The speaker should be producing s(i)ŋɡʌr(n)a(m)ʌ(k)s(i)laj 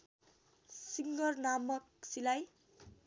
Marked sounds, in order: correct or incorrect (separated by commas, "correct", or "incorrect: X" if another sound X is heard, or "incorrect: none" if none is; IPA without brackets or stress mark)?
correct, correct, correct, correct, correct